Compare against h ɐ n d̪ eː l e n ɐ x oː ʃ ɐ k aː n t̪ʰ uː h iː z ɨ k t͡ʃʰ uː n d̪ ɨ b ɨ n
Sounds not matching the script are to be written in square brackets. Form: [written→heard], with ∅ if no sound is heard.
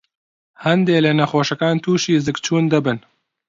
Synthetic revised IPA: h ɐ n d̪ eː l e n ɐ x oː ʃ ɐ k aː n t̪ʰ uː [h→ʃ] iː z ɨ k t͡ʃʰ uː n d̪ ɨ b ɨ n